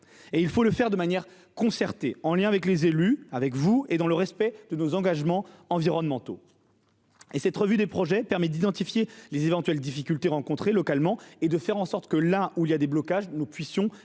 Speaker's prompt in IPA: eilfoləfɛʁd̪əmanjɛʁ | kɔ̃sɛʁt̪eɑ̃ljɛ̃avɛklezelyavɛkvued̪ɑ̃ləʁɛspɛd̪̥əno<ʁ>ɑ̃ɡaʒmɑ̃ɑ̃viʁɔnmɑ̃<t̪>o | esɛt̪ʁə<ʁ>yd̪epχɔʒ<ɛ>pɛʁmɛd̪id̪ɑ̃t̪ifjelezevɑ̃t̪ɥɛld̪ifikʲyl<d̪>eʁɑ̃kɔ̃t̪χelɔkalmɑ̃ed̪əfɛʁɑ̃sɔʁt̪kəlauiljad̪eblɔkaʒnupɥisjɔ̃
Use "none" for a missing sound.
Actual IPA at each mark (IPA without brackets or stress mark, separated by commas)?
z, t̪, v, ɛ, t̪